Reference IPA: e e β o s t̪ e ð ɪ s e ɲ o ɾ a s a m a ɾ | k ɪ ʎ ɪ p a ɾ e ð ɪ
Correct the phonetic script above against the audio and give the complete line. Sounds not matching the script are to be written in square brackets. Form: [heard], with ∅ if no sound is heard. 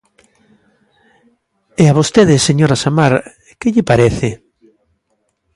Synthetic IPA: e [a] β o s t̪ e ð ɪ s e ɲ o ɾ a s a m a ɾ | k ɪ ʎ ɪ p a ɾ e [θ] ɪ